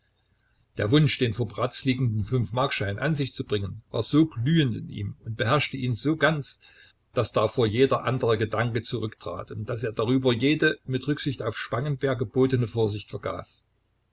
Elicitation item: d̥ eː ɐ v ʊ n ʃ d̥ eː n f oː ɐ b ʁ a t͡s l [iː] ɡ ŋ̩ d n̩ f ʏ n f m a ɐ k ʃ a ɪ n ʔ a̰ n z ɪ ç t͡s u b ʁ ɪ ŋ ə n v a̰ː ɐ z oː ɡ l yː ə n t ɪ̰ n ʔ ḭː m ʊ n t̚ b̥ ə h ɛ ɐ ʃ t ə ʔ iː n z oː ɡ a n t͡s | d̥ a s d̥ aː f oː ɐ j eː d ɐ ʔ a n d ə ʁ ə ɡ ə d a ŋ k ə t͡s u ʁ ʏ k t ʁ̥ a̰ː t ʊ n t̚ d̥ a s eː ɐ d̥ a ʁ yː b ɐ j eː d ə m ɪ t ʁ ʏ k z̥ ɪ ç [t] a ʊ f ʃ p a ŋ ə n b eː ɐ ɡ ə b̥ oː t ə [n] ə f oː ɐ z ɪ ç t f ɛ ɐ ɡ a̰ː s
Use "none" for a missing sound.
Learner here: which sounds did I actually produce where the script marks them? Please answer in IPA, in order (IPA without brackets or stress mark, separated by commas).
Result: iː, t, n